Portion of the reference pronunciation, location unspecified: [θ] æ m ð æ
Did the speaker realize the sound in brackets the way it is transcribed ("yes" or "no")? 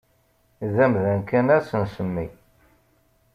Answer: no